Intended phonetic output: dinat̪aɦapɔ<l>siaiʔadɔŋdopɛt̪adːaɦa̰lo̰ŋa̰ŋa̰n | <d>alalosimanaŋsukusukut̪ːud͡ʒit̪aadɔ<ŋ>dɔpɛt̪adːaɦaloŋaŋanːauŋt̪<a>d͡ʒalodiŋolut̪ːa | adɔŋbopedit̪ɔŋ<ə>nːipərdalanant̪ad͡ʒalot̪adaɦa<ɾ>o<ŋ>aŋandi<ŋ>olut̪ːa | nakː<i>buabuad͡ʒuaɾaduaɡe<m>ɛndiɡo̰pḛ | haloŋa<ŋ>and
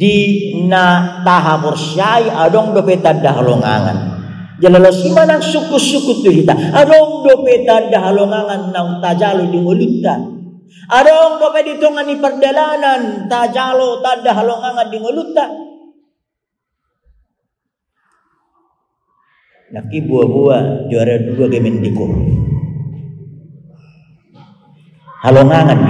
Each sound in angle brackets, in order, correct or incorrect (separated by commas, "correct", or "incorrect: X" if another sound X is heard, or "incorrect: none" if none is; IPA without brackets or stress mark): incorrect: r, incorrect: d͡ʒ, correct, correct, incorrect: a, incorrect: l, correct, correct, correct, correct, correct